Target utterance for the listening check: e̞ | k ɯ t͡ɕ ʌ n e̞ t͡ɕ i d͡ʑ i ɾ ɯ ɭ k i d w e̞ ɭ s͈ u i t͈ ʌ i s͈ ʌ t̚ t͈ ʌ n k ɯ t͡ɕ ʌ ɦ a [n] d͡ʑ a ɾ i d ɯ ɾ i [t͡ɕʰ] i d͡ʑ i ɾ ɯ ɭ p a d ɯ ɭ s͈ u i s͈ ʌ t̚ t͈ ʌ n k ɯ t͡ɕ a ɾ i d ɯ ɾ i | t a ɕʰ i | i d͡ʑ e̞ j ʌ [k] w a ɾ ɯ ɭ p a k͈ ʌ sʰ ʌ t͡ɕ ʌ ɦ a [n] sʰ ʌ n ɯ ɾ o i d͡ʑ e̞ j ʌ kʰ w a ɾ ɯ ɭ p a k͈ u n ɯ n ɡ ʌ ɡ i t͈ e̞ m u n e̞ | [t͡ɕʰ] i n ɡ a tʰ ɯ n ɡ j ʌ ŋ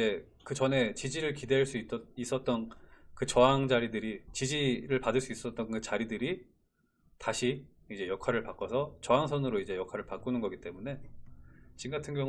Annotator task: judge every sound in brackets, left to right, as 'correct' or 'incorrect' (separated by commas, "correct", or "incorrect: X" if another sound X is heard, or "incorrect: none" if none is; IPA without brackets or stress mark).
incorrect: ŋ, incorrect: t͡ɕ, incorrect: kʰ, incorrect: ŋ, incorrect: t͡ɕ